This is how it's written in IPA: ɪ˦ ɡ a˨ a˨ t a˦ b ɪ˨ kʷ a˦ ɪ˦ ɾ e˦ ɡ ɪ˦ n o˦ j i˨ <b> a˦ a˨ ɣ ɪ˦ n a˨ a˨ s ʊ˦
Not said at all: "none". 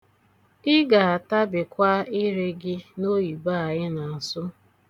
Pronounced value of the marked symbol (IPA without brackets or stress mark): b